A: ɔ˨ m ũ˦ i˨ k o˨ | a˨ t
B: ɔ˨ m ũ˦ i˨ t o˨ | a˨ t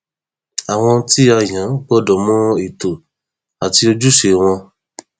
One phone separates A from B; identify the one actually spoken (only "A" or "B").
B